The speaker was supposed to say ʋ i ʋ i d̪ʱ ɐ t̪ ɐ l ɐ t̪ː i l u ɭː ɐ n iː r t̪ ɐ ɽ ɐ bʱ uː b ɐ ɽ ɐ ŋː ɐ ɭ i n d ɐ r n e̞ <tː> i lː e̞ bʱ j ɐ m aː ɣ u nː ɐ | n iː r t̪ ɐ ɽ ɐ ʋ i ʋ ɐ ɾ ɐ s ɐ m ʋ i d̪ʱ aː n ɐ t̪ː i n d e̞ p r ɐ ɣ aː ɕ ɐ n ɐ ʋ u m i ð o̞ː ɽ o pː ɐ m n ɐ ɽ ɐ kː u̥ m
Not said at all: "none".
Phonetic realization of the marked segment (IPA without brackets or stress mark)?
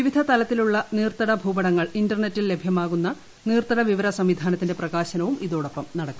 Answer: tː